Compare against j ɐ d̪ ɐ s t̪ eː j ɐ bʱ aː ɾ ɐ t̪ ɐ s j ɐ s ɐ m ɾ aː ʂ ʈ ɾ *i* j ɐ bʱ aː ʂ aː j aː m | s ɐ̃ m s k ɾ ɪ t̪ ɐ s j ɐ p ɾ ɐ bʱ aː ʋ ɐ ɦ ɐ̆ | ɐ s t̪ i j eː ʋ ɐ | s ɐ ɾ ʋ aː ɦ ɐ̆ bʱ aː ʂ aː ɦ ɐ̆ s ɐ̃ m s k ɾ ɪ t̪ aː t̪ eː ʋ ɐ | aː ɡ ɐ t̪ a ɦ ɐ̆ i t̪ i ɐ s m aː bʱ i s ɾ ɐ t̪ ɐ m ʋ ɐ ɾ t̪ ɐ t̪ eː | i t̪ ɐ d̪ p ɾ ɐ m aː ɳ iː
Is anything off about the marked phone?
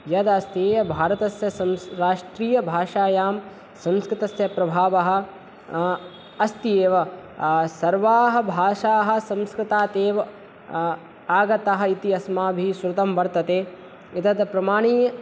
yes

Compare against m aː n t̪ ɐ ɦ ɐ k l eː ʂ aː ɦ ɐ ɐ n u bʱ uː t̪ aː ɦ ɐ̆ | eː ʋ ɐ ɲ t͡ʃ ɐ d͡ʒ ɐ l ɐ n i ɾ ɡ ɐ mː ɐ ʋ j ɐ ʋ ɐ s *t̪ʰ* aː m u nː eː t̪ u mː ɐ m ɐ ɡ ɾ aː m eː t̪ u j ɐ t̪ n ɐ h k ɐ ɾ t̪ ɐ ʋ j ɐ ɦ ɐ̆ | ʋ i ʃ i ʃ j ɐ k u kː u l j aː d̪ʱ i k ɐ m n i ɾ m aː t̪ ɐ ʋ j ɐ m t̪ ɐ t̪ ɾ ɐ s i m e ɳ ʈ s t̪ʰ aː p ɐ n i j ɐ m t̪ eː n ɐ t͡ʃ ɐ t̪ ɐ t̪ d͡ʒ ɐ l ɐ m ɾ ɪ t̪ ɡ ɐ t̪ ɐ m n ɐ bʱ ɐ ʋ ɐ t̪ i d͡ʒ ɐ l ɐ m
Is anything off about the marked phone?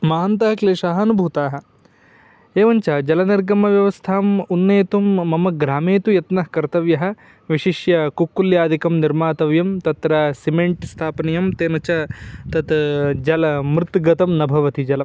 no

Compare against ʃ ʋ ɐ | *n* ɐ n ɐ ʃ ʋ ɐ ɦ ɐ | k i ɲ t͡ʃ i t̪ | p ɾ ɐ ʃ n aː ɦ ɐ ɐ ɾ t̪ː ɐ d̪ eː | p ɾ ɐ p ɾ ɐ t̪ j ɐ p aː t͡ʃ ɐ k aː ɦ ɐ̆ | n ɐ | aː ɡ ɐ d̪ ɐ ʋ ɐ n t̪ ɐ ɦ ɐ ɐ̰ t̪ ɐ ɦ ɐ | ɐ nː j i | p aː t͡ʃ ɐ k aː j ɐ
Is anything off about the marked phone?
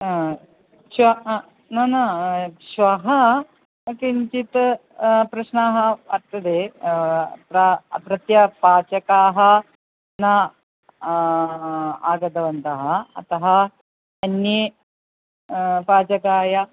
no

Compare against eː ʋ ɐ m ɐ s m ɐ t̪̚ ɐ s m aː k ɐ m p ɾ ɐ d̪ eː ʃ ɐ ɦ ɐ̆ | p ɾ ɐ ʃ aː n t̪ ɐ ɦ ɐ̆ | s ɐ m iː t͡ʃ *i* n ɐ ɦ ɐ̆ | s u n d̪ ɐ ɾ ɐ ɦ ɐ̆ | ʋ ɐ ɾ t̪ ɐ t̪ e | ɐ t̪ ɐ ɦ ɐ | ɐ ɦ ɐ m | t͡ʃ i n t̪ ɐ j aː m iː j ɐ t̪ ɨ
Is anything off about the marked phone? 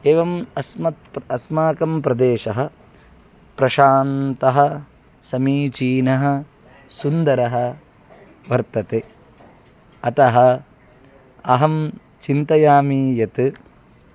yes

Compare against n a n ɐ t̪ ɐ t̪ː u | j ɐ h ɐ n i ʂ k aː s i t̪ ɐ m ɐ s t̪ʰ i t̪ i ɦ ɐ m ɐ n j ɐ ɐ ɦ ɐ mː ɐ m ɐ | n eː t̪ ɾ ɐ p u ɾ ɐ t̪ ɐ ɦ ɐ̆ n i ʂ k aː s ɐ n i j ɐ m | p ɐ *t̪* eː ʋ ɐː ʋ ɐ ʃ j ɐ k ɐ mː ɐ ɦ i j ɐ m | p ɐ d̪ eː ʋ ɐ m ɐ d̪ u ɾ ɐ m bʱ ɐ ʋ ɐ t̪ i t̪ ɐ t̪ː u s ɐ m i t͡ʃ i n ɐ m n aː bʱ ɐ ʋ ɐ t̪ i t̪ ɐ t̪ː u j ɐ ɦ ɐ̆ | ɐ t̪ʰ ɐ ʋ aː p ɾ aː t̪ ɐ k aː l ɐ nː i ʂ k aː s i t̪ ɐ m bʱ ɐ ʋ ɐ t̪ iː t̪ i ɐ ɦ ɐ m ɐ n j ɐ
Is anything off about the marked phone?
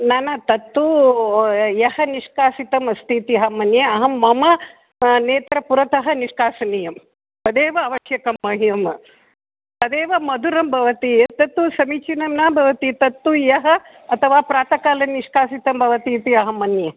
yes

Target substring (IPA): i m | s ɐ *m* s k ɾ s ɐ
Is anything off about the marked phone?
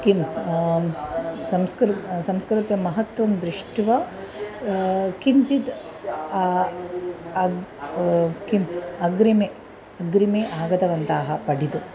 no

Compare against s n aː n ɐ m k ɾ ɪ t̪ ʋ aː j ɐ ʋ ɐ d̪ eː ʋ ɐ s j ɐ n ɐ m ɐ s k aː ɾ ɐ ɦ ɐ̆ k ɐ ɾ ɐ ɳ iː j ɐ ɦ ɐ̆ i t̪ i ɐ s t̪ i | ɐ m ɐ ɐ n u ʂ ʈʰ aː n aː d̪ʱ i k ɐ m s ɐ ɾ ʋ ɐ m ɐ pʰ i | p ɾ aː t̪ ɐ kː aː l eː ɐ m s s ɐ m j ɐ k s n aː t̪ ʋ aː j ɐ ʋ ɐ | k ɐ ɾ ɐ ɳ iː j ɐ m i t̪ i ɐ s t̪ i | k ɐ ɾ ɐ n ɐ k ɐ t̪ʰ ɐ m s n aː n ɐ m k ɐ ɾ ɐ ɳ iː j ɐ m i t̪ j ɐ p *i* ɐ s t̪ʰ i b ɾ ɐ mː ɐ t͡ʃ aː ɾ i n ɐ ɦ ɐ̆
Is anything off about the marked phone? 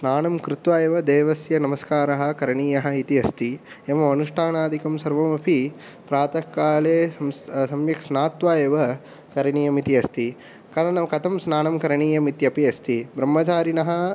no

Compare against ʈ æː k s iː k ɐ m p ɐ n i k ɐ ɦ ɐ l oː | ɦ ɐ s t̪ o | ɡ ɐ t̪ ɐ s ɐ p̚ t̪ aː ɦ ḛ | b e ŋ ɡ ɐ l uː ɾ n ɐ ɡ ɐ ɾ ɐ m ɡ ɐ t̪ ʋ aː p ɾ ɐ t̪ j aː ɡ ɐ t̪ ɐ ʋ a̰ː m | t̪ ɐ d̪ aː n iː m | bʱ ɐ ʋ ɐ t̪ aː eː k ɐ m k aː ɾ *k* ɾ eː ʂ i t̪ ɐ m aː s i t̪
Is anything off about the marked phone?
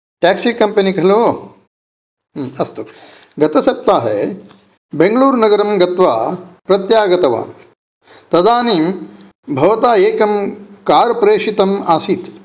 yes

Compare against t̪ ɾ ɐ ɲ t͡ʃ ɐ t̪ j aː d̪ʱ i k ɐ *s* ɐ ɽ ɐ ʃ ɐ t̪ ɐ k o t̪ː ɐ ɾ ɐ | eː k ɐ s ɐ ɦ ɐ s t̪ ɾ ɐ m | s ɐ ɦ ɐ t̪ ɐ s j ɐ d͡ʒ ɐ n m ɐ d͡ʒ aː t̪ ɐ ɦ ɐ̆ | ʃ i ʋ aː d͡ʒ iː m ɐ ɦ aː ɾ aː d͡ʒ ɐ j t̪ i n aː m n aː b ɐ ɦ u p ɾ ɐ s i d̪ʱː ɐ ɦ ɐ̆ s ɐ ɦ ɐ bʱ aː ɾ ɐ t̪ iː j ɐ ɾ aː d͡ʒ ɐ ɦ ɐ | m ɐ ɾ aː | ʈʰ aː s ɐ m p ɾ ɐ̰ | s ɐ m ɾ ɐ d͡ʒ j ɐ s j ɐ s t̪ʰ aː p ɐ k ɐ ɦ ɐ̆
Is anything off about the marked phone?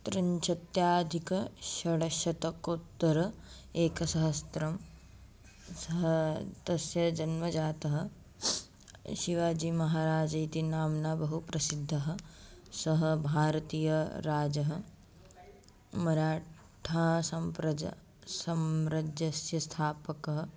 yes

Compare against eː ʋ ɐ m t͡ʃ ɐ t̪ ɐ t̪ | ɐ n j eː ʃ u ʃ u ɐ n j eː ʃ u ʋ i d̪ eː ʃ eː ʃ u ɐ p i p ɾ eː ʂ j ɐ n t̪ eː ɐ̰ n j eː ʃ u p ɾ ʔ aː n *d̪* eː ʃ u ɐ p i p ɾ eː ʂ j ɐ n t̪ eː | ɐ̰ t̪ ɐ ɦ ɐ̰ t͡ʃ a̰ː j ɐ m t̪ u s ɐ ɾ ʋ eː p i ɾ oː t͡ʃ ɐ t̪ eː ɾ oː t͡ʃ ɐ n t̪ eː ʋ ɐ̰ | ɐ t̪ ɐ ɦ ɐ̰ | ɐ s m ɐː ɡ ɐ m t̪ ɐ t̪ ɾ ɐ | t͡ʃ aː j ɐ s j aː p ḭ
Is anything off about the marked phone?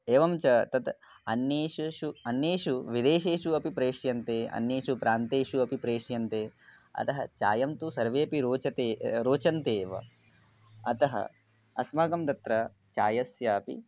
yes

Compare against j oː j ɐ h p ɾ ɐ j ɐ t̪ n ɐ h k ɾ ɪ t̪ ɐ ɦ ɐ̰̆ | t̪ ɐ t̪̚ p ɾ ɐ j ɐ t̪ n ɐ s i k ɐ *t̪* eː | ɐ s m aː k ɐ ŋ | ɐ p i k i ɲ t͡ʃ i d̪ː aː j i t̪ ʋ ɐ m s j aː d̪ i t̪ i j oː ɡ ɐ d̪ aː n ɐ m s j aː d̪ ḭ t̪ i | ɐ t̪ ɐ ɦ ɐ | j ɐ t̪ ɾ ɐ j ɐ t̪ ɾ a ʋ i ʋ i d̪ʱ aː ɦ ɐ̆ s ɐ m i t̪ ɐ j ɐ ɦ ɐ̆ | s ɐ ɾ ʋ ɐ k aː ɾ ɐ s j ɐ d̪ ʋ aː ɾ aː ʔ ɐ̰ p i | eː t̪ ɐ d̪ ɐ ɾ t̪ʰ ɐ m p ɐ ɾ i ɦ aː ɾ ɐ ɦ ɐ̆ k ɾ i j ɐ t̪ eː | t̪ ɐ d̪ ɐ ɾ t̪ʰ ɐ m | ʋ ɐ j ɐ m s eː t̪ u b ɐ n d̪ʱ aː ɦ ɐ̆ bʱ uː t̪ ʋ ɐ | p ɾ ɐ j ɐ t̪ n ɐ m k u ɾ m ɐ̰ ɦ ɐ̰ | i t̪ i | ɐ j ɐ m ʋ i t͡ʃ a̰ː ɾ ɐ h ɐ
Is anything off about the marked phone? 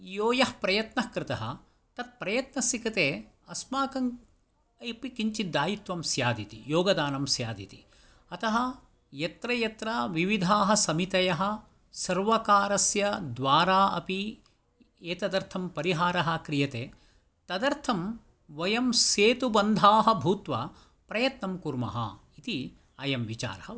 no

